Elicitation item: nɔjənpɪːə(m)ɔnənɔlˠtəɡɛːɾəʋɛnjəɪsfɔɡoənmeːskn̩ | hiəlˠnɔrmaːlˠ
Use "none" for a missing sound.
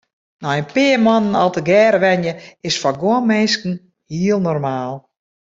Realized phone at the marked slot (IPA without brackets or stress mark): m